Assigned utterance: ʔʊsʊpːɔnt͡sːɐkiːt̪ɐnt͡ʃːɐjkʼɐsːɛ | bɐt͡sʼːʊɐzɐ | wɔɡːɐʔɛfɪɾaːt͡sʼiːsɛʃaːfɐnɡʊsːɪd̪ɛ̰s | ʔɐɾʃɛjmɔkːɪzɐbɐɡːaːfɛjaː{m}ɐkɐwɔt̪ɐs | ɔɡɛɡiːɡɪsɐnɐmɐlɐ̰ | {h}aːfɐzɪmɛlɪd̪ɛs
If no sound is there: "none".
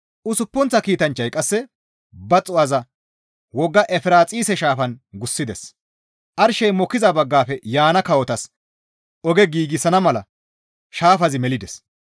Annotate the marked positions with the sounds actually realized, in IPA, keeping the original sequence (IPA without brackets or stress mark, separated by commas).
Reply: n, ʃ